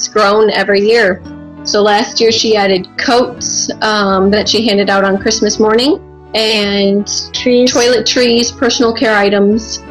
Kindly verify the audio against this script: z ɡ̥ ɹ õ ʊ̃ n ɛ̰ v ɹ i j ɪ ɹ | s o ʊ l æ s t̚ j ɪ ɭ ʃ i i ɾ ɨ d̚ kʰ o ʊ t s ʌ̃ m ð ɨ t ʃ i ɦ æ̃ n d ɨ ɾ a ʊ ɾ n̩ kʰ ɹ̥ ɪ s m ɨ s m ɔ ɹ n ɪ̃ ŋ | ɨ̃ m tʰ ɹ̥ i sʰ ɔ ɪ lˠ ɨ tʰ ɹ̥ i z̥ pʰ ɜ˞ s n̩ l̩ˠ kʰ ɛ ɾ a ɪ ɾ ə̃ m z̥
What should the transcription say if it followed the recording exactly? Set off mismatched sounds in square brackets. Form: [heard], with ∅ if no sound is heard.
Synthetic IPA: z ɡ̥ ɹ õ ʊ̃ n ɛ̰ v ɹ i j ɪ ɹ | s o ʊ l æ s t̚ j ɪ [ɹ] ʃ i [æ] ɾ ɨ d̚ kʰ o ʊ t s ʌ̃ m ð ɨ t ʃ i ɦ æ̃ n d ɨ ɾ a ʊ ɾ n̩ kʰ ɹ̥ ɪ s m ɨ s m ɔ ɹ n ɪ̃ ŋ | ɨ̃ [n] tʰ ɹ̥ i [tʰ] ɔ ɪ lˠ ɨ tʰ ɹ̥ i z̥ pʰ ɜ˞ s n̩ l̩ˠ kʰ ɛ [ɹ] a ɪ ɾ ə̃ m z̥